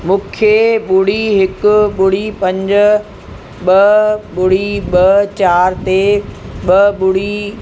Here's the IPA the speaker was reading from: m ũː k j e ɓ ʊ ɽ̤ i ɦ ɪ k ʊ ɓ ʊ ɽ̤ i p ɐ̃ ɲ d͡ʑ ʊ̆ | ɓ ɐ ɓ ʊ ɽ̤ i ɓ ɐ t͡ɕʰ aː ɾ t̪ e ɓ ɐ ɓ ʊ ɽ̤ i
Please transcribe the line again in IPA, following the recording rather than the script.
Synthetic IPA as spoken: m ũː kʰ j e ɓ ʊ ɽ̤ i ɦ ɪ k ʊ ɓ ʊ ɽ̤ i p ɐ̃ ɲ d͡ʑ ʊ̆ | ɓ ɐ ɓ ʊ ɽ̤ i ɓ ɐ t͡ɕ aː ɾ t̪ e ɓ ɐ ɓ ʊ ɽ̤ i